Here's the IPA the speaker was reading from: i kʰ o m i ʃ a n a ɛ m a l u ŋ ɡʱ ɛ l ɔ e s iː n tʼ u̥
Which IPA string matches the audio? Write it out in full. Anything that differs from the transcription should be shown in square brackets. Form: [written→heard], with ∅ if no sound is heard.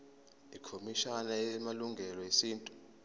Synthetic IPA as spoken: i kʰ o m i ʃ a n a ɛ m a l u ŋ ɡʱ ɛ l ɔ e s iː n tʼ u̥